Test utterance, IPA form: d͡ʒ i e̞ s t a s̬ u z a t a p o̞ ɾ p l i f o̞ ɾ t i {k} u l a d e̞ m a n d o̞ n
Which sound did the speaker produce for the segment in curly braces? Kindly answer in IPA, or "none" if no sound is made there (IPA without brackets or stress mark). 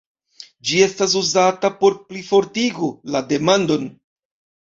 ɡ